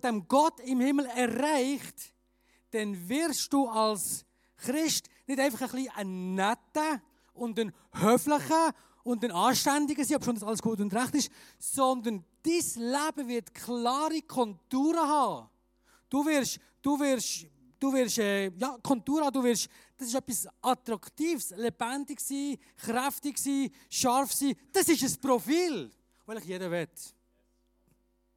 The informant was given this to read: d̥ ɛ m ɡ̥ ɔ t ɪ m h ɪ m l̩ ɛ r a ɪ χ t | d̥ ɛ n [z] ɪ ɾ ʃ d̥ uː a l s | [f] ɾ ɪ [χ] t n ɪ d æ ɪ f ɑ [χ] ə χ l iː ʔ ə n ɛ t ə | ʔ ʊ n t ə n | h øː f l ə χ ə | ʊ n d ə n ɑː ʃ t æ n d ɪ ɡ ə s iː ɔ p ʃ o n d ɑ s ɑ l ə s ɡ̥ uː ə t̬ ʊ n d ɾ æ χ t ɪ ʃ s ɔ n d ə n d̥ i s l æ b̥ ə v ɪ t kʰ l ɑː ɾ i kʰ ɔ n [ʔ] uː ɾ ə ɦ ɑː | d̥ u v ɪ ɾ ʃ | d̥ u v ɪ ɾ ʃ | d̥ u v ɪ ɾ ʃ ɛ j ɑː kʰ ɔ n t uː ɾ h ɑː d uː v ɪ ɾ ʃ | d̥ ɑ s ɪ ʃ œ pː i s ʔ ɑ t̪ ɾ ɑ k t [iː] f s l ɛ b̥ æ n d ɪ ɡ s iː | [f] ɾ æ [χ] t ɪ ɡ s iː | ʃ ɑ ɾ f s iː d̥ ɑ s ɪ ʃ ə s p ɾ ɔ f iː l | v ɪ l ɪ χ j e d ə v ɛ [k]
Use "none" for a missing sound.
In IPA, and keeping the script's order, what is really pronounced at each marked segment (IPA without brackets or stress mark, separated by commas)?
v, χ, ʃ, χ, t, iː, χ, f, t